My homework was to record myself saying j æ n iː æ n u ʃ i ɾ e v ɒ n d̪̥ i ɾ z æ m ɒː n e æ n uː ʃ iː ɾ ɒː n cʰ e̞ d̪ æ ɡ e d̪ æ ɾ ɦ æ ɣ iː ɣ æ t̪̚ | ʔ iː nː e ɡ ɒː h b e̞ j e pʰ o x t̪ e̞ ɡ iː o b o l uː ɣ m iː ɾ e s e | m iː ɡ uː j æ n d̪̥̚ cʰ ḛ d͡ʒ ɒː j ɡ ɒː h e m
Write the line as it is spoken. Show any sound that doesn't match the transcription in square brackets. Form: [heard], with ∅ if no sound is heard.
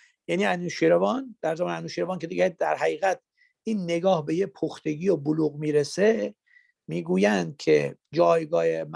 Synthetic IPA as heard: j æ n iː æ n u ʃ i ɾ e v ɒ n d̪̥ [æ] ɾ z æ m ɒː n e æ n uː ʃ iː ɾ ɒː n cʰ e̞ d̪ [i] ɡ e d̪ æ ɾ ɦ æ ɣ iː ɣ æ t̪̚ | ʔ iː nː e ɡ ɒː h b e̞ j e pʰ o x t̪ e̞ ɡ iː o b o l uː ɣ m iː ɾ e s e | m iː ɡ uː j æ n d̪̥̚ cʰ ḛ d͡ʒ ɒː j ɡ ɒː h e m